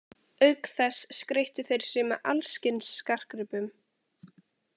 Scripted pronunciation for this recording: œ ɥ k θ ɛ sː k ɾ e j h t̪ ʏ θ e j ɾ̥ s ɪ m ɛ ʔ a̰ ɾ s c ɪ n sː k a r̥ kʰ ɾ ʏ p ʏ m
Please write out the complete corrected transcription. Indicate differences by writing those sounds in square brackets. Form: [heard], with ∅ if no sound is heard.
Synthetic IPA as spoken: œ ɥ k θ ɛ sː k ɾ e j h t̪ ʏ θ e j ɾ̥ s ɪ m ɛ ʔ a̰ [l] s c ɪ n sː k a r̥ [k] ɾ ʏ p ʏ m